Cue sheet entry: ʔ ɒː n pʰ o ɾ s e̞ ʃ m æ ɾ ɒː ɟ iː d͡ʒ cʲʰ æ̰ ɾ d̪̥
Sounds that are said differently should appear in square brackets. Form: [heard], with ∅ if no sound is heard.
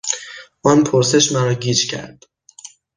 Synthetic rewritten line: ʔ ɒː n pʰ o ɾ s e̞ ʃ m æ ɾ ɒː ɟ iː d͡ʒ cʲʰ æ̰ ɾ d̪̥

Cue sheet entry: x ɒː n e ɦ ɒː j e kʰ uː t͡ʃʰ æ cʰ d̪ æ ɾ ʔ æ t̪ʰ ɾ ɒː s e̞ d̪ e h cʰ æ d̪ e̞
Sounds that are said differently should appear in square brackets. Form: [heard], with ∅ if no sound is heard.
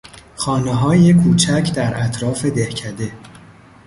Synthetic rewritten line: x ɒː n e ɦ ɒː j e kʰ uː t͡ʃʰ æ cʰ d̪ æ ɾ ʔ æ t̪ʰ ɾ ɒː [f] e̞ d̪ e h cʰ æ d̪ e̞

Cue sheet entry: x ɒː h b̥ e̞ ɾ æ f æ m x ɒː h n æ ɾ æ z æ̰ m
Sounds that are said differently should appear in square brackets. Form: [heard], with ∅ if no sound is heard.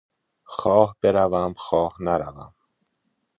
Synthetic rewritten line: x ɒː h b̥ e̞ ɾ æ [v] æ m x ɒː h n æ ɾ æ [v] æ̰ m

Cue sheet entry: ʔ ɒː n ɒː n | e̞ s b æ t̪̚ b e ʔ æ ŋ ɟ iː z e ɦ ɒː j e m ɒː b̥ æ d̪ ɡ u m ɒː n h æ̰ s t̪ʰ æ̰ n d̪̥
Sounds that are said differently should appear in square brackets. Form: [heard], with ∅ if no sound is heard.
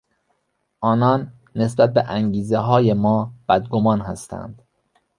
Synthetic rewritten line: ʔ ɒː n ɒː [nː] | e̞ s b æ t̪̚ b e ʔ æ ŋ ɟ iː z e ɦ ɒː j e m ɒː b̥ æ d̪ ɡ [o] m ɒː n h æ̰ s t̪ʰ æ̰ n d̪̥

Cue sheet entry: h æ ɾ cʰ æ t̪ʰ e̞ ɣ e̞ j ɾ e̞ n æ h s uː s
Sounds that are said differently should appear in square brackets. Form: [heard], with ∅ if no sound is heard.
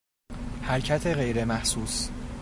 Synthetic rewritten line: h æ ɾ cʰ æ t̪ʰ e̞ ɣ e̞ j ɾ e̞ [m] æ h s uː s

